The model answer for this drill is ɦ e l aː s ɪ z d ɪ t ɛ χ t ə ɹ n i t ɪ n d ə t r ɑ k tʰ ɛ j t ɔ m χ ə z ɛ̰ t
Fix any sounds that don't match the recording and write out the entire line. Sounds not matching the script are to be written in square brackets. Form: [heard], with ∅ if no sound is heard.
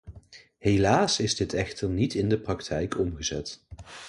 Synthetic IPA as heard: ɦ e l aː s ɪ z d ɪ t ɛ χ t ə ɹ n i t ɪ n d ə [p] r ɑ k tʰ ɛ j [k] ɔ m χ ə z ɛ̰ t